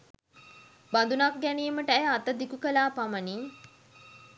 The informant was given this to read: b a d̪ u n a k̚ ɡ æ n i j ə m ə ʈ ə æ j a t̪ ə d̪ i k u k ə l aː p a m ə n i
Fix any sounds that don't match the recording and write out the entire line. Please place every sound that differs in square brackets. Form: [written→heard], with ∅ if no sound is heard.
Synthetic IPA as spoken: b a d̪ u n a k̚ ɡ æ n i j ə m ə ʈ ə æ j a t̪ ə d̪ i k u k ə l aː p a m ə n i